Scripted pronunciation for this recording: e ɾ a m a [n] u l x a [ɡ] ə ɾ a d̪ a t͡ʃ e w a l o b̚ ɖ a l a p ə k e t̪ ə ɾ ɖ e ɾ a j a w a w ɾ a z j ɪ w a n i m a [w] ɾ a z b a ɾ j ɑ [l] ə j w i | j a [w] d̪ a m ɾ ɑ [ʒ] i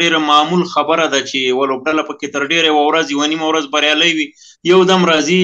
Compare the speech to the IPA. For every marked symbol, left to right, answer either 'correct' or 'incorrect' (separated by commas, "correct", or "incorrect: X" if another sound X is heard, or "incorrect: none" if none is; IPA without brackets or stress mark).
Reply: incorrect: m, incorrect: b, correct, correct, correct, incorrect: z